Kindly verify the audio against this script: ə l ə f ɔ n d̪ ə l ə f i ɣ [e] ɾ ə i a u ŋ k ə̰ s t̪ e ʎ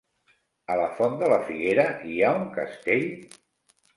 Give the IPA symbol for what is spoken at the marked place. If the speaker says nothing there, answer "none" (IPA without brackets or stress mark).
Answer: e